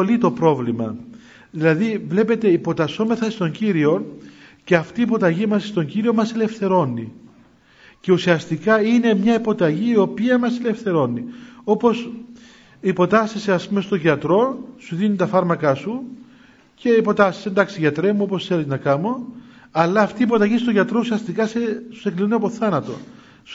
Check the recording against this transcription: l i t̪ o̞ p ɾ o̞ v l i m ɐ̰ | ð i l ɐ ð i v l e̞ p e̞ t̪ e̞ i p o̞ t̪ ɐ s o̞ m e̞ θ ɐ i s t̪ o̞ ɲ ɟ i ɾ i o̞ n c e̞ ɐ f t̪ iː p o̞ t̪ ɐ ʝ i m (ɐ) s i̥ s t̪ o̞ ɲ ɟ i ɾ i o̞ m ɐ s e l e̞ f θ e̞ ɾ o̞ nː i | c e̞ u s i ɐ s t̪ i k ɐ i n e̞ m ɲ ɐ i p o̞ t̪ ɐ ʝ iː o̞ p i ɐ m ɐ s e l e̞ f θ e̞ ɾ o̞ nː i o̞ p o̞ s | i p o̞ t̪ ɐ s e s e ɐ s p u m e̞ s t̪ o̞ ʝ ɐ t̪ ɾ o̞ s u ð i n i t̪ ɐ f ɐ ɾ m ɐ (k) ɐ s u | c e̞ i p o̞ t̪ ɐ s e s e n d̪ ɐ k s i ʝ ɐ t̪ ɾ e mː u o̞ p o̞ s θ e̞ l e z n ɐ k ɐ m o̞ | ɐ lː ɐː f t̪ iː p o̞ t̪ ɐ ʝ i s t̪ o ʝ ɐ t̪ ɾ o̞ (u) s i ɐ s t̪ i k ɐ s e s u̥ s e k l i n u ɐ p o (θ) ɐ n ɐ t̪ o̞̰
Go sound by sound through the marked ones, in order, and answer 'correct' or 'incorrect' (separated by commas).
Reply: correct, correct, correct, correct